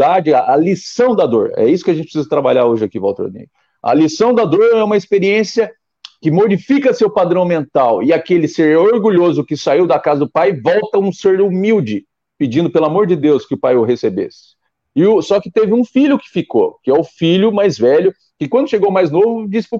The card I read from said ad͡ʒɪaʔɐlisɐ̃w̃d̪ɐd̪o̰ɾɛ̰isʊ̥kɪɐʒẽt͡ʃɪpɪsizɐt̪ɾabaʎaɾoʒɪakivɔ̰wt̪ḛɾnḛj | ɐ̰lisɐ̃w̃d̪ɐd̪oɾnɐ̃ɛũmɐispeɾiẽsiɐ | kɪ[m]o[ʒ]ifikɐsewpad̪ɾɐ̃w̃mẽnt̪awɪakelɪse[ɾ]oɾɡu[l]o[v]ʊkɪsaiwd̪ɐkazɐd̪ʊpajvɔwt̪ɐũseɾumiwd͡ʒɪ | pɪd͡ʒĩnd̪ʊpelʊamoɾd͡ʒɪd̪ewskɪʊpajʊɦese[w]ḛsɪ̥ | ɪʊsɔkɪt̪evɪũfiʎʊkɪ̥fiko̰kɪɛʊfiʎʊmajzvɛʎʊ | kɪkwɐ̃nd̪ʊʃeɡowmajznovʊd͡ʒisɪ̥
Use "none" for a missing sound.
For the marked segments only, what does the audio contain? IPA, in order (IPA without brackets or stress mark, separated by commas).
m, d͡ʒ, ɾ, ʎ, z, b